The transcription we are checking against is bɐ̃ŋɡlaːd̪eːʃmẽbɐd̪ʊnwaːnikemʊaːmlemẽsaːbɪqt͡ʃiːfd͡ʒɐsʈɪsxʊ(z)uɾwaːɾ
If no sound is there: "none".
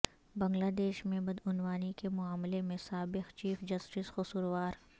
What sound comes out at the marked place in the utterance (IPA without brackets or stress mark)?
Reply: s